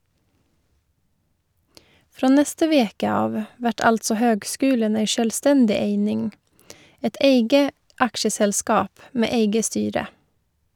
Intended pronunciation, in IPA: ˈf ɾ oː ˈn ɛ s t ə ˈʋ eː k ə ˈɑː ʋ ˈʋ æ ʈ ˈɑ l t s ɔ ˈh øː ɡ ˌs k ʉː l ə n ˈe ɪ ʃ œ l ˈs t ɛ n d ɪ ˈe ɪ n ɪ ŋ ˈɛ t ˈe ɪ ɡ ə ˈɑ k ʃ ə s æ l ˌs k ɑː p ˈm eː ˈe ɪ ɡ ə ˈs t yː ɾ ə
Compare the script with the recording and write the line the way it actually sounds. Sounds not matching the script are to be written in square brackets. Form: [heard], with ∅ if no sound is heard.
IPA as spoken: ˈf ɾ oː ˈn ɛ s t ə ˈʋ eː k ə ˈɑː ʋ ˈʋ æ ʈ ˈɑ l t s ɔ ˈh øː ɡ ˌs k ʉː l ə n ˈe ɪ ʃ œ l ˈs t ɛ n d ɪ ˈe ɪ n ɪ ŋ ˈɛ t ˈe ɪ ɡ ə ˈɑ k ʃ ə s [ɛ] l ˌs k ɑː p ˈm eː ˈe ɪ ɡ ə ˈs t yː ɾ ə